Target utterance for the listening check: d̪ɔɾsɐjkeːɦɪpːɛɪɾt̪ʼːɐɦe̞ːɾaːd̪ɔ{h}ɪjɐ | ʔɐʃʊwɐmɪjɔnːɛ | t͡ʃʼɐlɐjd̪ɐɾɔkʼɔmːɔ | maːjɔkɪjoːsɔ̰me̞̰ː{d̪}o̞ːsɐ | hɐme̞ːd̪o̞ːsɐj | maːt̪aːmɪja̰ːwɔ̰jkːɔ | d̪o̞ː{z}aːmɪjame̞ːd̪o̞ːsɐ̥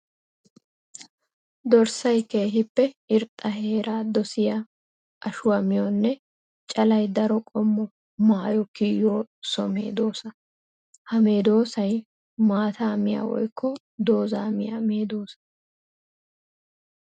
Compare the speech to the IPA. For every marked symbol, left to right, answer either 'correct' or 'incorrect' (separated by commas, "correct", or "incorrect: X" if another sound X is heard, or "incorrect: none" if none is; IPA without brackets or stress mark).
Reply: incorrect: s, correct, correct